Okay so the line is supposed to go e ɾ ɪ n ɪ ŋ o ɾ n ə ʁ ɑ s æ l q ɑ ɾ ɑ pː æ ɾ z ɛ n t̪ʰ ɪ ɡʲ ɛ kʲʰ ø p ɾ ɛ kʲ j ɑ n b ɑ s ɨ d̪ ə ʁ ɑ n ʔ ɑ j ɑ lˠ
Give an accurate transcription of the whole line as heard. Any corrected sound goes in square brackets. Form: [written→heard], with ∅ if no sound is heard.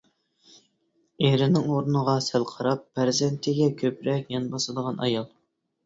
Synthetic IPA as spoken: e ɾ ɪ n ɪ ŋ o ɾ n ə ʁ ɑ s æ l [q→qʰ] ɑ ɾ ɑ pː æ ɾ z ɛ n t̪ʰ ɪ ɡʲ ɛ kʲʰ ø p ɾ ɛ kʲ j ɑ n b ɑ s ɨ d̪ ə ʁ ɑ n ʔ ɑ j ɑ lˠ